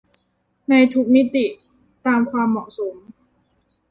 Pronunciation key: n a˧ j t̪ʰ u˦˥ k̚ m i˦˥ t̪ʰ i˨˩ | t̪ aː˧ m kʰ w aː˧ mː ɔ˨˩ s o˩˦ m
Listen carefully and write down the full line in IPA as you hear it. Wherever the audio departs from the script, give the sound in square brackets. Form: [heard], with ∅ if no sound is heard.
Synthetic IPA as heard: n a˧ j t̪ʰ u˦˥ k̚ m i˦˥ [t̪] i˨˩ | t̪ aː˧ m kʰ w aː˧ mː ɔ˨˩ s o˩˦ m